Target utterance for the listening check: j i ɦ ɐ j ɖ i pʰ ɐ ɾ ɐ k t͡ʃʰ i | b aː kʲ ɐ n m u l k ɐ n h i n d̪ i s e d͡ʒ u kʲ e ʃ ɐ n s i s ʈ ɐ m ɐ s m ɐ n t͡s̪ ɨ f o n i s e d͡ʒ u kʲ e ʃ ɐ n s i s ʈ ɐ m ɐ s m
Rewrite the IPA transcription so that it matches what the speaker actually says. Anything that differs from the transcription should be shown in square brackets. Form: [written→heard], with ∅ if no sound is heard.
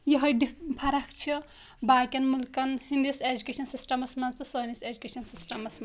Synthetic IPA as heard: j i ɦ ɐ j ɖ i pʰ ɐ ɾ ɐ k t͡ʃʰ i | b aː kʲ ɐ n m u l k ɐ n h i n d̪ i s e d͡ʒ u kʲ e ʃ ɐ n s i s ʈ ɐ m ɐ s m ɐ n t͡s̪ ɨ [f→s] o n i s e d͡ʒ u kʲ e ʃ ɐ n s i s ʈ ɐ m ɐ s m